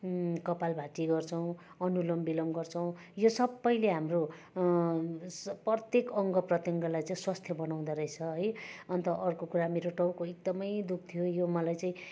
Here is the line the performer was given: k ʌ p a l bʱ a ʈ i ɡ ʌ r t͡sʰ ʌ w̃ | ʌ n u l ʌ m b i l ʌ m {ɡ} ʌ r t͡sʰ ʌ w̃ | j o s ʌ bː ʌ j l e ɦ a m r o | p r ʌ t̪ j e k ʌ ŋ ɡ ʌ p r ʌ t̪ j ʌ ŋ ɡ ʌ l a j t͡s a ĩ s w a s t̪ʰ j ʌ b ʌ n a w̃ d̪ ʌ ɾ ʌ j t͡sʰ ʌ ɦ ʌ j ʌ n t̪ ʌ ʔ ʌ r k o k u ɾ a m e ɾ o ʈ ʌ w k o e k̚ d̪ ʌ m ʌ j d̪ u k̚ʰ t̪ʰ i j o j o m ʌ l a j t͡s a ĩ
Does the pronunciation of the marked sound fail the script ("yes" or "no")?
no